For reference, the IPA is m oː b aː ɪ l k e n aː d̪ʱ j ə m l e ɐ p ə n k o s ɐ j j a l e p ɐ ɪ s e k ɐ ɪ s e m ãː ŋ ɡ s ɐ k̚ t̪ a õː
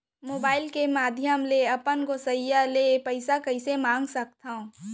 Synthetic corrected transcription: m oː b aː ɪ l k e m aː d̪ʱ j ə m l e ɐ p ə n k o s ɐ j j a l e p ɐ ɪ s a k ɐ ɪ s e m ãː ŋ ɡ s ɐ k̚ t̪ a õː

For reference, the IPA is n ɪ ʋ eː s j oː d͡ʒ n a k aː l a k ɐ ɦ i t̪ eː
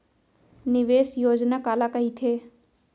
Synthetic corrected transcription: n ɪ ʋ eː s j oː d͡ʒ n a k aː l a k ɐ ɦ i t̪ʰ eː

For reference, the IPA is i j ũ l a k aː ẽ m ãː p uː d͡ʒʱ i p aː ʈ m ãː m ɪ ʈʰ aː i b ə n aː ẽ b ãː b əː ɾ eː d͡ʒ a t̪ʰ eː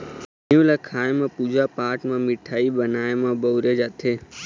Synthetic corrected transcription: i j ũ l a kʰ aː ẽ m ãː p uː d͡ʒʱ a p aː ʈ m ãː m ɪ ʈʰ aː i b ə n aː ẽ m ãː b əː ɾ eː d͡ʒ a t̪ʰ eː

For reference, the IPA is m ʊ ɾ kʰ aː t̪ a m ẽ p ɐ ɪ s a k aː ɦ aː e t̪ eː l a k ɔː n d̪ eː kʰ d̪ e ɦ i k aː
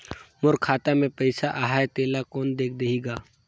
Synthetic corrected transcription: m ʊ ɾ kʰ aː t̪ a m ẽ p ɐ ɪ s a ʔ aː ɦ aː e t̪ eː l a k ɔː n d̪ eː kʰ d̪ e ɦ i ɡ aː

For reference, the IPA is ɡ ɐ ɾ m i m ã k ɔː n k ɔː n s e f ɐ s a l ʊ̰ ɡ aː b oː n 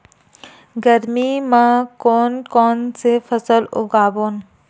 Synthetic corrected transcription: ɡ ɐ ɾ m i m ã k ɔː n k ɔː n s e f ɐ s ə l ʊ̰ ɡ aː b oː n

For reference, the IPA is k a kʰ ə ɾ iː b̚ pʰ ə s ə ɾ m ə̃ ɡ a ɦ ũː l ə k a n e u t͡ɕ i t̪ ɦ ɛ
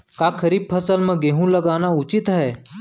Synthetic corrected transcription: k a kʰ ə ɾ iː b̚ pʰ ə s ə l m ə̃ ɡ e ɦ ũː l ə ɡ a n a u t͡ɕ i t̪ ɦ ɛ

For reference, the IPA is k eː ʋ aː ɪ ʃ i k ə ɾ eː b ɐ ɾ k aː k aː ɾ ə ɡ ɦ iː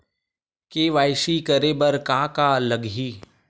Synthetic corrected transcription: k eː ʋ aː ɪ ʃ i k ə ɾ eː b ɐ ɾ k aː k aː l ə ɡ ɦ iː

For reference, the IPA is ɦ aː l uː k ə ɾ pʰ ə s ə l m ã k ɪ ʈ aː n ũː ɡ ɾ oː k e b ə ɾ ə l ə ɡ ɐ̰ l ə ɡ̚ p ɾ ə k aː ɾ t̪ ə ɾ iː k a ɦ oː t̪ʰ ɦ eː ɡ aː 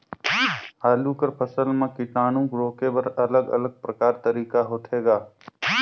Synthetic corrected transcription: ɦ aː l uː k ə ɾ pʰ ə s ə l m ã k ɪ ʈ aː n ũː ɡ ɾ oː k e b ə ɾ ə l ə ɡ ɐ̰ l ə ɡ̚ p ɾ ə k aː ɾ t̪ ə ɾ iː k a ɦ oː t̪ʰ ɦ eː ɡ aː

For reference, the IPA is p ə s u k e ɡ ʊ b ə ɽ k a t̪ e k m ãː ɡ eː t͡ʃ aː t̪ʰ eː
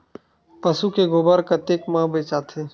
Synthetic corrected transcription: p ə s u k e ɡ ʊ b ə ɾ k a t̪ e k m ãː b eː t͡ʃ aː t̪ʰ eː

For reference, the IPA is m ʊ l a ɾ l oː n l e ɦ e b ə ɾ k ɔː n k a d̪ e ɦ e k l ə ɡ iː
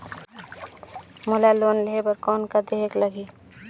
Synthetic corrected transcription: m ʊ l a l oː n l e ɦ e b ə ɾ k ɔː n k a d̪ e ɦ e k l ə ɡ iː

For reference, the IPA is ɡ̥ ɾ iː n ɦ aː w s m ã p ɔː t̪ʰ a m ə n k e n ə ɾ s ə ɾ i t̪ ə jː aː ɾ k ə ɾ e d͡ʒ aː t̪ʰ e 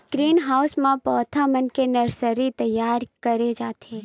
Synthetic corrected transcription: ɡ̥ ɾ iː n ɦ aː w s m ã p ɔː t̪ʰ a m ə n k e n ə ɾ s ə ɾ i t̪ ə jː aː ɾ k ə ɾ e d͡ʒ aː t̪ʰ e

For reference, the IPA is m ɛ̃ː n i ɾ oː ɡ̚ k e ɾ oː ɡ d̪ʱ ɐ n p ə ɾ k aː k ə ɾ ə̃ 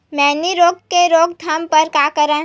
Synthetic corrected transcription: m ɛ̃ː n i ɾ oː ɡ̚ k e ɾ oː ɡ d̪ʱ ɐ m p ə ɾ k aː k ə ɾ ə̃

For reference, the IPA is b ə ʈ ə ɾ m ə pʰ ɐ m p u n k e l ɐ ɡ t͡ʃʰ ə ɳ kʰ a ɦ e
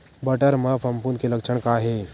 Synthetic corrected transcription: b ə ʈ ə ɾ m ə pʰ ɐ m p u n k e l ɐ k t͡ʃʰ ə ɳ k a ɦ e

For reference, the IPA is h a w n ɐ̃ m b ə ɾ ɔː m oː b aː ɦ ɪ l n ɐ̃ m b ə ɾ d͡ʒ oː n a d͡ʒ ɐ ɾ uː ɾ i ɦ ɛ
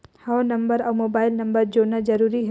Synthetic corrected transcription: h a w n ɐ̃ m b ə ɾ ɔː m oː b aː ɪ l n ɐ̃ m b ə ɾ d͡ʒ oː n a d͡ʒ ɐ ɾ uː ɾ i ɦ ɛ

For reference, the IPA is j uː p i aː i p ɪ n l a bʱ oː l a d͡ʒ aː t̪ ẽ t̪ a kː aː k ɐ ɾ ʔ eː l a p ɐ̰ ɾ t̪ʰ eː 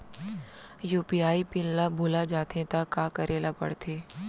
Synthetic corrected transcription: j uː p i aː i p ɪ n l a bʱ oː l a d͡ʒ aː t̪ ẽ t̪ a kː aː k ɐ ɾ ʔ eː l a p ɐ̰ ɽ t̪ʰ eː

